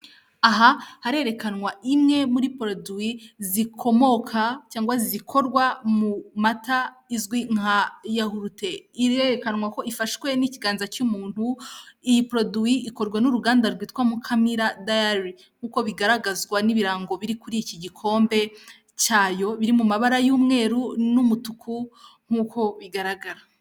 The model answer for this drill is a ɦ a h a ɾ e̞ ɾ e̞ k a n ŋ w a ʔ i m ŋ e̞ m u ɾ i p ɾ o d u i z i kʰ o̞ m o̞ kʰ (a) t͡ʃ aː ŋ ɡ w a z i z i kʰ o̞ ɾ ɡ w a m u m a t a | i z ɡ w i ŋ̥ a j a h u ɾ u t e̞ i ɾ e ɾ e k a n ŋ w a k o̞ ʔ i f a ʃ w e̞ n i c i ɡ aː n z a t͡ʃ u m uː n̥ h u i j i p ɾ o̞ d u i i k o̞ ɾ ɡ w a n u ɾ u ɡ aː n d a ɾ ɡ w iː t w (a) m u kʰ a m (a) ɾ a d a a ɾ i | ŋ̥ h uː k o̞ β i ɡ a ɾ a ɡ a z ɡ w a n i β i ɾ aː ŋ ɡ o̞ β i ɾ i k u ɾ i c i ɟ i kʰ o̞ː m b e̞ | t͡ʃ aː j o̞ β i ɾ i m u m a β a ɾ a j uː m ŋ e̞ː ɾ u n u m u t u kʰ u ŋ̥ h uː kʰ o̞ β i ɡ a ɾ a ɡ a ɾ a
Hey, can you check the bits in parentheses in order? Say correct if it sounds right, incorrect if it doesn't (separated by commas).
correct, correct, incorrect